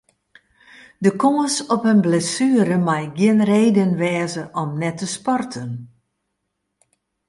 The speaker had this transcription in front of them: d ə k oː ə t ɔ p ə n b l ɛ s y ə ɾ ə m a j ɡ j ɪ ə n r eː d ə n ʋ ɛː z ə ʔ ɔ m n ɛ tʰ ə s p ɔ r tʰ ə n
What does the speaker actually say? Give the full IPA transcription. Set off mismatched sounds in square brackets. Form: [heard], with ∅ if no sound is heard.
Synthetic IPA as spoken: d ə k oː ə [s] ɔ p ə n b l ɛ s y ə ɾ ə m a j ɡ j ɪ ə n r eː d ə n ʋ ɛː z ə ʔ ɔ m n ɛ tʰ ə s p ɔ r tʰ ə n